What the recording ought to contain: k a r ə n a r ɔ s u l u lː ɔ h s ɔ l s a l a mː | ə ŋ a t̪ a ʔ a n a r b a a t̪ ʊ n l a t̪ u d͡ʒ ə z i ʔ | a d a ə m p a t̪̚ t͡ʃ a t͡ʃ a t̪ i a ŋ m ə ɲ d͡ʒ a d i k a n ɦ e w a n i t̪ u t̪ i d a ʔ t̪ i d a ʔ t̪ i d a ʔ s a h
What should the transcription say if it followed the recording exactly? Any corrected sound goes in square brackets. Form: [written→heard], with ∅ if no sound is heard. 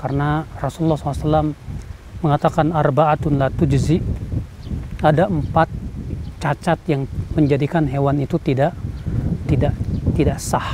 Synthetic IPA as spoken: k a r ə n a r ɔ s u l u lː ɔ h s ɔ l s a l a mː | ə ŋ a t̪ a [ʔ→k] a n a r b a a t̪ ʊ n l a t̪ u d͡ʒ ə z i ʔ | a d a ə m p a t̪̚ t͡ʃ a t͡ʃ a t̪ [i→j] a ŋ m ə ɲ d͡ʒ a d i k a n ɦ e w a n i t̪ u t̪ i d a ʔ t̪ i d a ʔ t̪ i d a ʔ s a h